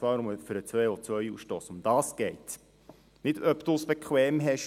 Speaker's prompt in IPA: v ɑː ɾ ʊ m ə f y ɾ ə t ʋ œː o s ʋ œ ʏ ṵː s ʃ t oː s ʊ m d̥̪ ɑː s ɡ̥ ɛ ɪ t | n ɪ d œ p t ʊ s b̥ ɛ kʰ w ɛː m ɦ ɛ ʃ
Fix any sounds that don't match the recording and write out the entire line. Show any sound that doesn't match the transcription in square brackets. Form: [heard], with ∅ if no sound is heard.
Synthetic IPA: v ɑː ɾ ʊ m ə f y ɾ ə [t͡s] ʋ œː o [t͡s] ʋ œ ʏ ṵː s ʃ t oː s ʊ m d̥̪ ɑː s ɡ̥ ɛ ɪ t | n ɪ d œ p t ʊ s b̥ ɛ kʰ w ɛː m ɦ ɛ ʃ